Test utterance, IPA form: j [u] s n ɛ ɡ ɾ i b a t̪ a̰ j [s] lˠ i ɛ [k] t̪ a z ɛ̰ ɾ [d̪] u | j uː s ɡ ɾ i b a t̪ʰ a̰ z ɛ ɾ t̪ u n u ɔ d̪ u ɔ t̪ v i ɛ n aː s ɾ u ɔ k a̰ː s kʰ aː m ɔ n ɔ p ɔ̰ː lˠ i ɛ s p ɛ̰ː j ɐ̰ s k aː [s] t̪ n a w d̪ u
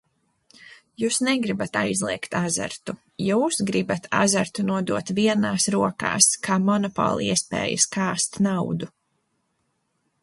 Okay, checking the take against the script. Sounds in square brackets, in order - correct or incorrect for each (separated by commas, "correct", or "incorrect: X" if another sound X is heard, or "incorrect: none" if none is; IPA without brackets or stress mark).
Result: incorrect: uː, incorrect: z, correct, incorrect: t̪, correct